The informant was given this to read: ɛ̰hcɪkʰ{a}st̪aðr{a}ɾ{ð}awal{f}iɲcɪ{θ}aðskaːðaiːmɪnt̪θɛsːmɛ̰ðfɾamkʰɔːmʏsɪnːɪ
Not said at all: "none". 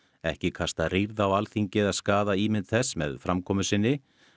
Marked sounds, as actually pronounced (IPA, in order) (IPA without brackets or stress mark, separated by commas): a, i, ð, θ, ð